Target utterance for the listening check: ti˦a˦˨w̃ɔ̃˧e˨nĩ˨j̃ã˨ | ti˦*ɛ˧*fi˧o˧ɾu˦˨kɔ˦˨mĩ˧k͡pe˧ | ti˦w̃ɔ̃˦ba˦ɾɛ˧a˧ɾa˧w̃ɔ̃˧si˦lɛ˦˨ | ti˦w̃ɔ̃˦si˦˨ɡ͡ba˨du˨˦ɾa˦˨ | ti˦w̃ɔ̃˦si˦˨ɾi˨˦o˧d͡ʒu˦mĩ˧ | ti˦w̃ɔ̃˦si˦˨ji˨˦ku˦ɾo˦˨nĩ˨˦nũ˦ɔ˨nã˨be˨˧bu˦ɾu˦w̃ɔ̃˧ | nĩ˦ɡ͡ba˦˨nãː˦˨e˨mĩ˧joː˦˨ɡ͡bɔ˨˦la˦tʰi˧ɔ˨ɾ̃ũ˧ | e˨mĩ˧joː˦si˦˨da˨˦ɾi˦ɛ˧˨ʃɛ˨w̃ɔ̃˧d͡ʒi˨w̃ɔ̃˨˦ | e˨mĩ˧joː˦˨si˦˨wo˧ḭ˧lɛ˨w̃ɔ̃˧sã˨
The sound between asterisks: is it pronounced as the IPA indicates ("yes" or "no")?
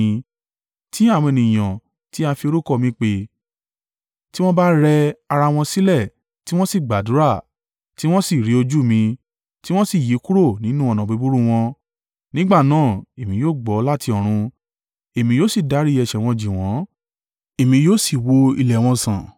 no